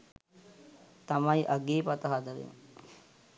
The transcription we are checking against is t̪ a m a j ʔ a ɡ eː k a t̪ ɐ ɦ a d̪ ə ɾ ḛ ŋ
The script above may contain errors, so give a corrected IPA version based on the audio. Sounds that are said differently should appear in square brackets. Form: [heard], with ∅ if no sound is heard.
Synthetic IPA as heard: t̪ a m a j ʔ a ɡ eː [p] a t̪ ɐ ɦ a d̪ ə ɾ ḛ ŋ